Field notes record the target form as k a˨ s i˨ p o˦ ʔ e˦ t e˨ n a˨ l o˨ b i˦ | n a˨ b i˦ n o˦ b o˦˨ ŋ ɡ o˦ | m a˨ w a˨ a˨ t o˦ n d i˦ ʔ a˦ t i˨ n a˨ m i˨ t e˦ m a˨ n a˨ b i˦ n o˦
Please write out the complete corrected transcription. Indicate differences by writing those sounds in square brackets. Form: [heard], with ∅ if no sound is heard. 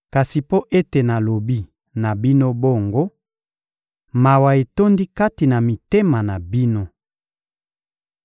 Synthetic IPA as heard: k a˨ s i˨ p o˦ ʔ e˦ t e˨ n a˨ l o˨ b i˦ | n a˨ b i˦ n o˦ b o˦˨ ŋ ɡ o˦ | m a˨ w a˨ [e˨] t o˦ n d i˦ [k] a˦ t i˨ n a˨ m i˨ t e˦ m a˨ n a˨ b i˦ n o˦